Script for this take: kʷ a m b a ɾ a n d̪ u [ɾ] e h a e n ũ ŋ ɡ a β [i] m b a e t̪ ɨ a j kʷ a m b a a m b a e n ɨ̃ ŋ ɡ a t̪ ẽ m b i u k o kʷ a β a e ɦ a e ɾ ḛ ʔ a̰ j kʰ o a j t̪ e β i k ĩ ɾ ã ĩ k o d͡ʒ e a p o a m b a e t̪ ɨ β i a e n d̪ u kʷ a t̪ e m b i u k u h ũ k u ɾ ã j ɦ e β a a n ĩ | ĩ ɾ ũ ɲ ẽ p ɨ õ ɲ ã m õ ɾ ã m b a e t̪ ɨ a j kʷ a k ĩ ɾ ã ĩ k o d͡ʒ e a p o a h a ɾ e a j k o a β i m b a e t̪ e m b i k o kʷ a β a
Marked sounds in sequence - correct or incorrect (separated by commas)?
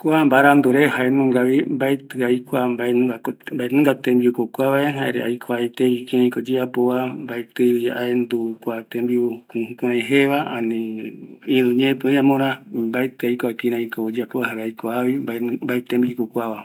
correct, correct